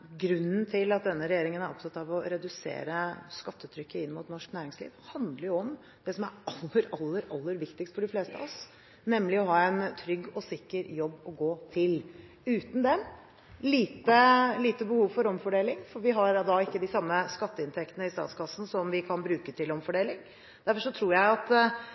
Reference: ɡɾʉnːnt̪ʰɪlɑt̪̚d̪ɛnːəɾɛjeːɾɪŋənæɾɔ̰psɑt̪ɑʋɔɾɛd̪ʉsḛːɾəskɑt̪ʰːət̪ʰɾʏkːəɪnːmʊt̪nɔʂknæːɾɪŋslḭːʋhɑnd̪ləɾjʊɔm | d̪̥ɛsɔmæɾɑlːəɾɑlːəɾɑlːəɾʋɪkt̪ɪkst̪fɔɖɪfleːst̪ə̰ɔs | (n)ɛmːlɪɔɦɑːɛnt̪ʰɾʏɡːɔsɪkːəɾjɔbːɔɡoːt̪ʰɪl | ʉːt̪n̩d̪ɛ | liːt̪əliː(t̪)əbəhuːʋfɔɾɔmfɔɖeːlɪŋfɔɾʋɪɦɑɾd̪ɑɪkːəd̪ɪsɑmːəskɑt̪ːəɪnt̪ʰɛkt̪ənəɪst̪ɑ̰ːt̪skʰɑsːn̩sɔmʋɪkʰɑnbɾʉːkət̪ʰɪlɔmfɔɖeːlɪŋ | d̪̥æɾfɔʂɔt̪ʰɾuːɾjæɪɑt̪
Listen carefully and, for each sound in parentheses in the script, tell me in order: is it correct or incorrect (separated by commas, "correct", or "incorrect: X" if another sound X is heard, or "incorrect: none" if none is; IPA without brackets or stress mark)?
correct, correct